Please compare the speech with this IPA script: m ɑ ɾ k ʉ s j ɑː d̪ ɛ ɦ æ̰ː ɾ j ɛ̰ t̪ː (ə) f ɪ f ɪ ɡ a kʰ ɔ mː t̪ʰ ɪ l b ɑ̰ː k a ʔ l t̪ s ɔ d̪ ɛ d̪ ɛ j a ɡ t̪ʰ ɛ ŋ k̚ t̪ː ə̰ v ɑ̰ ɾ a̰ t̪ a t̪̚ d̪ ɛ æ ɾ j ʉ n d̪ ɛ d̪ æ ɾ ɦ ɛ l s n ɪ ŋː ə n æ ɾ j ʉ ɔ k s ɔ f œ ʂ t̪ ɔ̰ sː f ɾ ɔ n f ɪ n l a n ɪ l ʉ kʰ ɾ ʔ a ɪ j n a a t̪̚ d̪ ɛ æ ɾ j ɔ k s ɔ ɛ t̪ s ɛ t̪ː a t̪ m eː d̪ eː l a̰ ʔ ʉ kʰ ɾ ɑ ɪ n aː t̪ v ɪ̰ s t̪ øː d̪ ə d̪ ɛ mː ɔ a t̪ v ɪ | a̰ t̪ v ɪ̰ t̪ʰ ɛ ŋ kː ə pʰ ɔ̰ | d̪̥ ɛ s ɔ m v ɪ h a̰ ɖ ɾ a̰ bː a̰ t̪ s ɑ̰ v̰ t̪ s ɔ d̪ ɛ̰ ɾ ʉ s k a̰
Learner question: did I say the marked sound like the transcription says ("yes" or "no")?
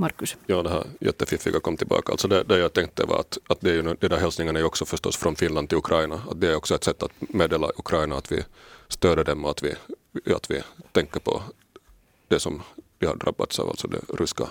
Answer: yes